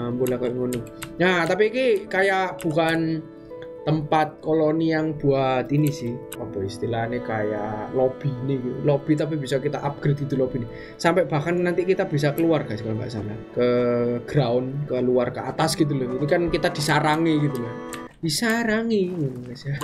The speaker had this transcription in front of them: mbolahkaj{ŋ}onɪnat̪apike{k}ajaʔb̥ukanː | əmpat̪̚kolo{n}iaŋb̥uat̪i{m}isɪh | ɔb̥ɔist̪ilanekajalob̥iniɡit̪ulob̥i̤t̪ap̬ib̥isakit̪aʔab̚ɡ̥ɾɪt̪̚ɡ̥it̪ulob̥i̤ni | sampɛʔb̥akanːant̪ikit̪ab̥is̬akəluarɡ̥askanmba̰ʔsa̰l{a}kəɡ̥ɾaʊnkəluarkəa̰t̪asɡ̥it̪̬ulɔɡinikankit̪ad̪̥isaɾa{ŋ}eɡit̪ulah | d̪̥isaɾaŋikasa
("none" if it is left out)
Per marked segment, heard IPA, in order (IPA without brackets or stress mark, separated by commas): ŋ, k, n, n, a, ŋ